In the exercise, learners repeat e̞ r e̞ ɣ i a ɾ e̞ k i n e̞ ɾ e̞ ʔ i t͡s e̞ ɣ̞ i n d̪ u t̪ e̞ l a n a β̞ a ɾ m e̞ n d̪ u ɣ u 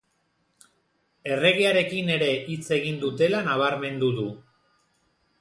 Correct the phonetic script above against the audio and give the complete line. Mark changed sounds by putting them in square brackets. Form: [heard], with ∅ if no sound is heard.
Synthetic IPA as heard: e̞ r e̞ ɣ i a ɾ e̞ k i n e̞ ɾ e̞ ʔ i t͡s e̞ ɣ̞ i n d̪ u t̪ e̞ l a n a β̞ a ɾ m e̞ n d̪ u [ð] u